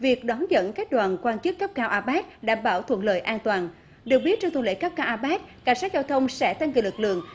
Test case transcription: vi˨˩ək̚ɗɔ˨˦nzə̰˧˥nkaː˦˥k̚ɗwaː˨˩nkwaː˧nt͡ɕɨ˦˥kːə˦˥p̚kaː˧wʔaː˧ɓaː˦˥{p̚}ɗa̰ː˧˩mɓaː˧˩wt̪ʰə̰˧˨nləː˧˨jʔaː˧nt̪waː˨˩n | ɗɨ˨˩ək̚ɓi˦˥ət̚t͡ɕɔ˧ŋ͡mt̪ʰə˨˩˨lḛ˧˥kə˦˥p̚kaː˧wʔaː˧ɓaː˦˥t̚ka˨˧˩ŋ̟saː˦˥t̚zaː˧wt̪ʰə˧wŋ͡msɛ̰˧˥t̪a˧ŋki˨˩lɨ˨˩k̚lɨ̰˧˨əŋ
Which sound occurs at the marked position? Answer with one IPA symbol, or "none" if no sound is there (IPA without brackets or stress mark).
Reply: t̚